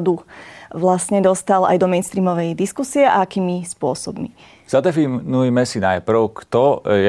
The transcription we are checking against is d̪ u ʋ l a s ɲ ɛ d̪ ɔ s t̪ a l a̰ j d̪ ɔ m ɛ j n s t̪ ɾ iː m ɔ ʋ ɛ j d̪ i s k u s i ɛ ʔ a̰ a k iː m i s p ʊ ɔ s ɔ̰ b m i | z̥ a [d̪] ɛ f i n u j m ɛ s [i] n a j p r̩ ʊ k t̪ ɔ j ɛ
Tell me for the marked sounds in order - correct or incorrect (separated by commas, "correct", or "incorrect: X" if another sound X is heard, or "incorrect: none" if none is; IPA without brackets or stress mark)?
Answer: correct, correct